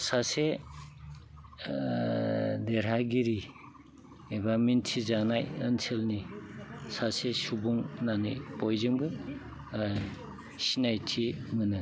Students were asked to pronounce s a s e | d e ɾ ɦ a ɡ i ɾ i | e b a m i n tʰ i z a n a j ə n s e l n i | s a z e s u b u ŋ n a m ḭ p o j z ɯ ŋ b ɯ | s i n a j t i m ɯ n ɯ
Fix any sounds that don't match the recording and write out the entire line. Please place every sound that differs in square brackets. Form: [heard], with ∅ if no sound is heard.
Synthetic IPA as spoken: s a s e | d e ɾ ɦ a ɡ i ɾ i | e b a m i n tʰ i z a n a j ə n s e l n i | s a [s] e s u b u ŋ n a [n] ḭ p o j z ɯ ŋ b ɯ | s i n a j [tʰ] i m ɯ n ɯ